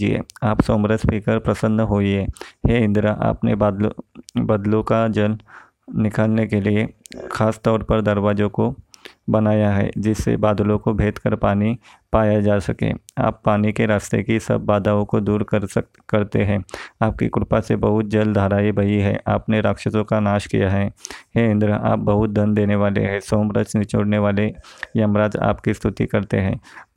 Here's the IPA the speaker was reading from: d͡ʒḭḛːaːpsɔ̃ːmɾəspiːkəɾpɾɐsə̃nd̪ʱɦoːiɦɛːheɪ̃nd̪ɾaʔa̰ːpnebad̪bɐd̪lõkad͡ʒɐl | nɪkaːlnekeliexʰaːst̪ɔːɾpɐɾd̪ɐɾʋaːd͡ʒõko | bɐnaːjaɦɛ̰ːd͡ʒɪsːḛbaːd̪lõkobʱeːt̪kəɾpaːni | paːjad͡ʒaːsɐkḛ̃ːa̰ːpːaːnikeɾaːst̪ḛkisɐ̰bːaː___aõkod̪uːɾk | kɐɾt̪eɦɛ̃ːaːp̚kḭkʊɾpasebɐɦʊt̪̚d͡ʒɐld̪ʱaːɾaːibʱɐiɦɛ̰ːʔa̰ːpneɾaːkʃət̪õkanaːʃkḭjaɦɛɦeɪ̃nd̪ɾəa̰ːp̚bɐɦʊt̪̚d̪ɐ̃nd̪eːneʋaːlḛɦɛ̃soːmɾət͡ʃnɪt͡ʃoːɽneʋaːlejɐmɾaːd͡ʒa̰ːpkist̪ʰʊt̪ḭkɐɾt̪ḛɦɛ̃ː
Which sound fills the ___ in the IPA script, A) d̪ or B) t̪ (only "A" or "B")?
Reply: A